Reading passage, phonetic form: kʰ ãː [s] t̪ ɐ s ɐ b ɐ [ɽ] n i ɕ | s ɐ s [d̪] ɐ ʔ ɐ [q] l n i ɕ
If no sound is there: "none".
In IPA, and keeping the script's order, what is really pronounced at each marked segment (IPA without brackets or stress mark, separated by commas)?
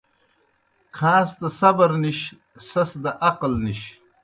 s, ɾ, d̪, q